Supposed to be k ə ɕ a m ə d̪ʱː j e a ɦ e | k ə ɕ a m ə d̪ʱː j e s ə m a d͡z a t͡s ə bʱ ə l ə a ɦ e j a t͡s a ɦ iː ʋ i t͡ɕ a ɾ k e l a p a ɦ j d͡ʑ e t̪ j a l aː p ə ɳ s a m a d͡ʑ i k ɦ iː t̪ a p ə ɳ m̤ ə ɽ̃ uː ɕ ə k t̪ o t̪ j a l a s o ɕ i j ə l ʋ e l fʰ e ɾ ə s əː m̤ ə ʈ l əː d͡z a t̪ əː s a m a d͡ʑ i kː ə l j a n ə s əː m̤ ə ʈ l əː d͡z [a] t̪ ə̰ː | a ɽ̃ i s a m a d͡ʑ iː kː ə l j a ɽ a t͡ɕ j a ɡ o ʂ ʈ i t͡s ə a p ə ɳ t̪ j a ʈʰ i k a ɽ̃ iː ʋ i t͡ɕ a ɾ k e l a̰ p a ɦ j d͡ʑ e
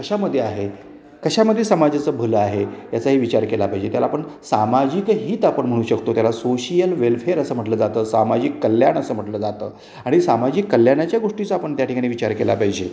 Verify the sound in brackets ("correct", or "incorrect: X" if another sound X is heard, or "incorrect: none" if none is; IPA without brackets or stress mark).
correct